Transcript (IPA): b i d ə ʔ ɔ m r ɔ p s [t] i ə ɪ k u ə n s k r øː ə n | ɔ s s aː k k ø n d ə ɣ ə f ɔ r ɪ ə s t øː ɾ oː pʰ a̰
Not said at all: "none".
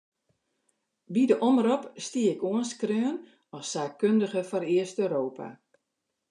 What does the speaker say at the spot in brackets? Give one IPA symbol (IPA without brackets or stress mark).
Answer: t